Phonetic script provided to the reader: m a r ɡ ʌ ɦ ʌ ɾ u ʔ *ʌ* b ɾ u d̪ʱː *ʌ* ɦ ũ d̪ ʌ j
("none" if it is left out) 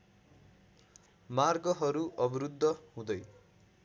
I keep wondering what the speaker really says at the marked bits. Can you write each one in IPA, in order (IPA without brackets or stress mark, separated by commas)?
ʌ, ʌ